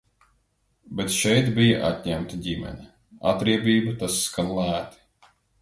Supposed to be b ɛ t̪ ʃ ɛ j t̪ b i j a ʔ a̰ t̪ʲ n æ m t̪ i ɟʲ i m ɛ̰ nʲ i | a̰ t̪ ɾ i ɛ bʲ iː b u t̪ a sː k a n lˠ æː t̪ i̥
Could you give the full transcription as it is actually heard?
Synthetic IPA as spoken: b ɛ t̪ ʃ ɛ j t̪ b i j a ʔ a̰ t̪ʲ ɲ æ m t̪ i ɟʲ i m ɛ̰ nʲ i | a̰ t̪ ɾ i ɛ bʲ iː b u t̪ a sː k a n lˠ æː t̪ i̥